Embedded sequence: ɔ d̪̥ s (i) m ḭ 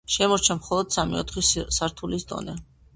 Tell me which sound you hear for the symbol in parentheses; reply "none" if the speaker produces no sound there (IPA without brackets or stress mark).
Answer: a